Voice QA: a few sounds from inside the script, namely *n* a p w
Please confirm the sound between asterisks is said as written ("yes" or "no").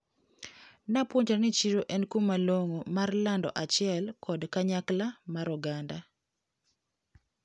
yes